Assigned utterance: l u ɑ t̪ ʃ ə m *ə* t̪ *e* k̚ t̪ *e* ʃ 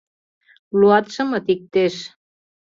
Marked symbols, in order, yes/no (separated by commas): yes, no, yes